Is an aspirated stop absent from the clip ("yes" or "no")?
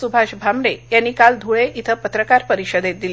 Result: no